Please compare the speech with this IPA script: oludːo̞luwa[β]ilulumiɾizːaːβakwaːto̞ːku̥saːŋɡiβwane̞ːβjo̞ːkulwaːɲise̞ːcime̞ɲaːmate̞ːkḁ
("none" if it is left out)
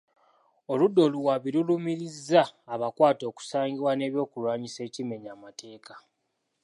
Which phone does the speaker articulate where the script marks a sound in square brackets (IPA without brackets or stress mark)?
β